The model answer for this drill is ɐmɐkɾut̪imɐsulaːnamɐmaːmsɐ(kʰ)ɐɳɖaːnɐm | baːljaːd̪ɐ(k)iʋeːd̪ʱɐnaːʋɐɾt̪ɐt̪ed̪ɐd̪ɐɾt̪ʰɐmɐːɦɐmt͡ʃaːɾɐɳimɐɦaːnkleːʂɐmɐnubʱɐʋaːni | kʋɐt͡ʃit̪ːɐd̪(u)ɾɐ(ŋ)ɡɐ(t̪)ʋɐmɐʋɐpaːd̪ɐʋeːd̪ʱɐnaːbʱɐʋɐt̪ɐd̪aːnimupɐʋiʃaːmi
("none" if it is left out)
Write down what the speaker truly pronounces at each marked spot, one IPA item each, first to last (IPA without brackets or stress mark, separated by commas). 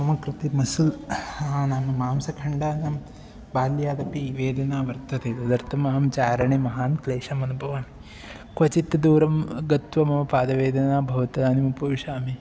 kʰ, p, uː, m, t̪